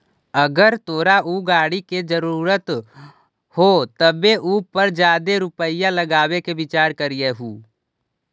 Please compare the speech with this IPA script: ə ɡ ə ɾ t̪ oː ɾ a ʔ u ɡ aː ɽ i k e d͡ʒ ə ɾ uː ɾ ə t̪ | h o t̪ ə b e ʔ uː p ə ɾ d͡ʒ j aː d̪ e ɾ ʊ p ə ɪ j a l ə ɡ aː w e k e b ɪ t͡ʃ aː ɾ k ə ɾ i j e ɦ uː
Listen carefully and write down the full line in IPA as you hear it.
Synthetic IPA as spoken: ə ɡ ə ɾ t̪ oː ɾ a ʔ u ɡ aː ɽ i k e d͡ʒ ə ɾ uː ɾ ə t̪ | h o t̪ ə b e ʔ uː p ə ɾ d͡ʒ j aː d̪ e ɾ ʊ p ə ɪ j a l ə ɡ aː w e k e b ɪ t͡ʃ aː ɾ k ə ɾ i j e ɦ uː